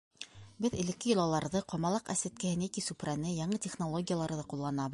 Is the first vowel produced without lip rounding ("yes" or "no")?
yes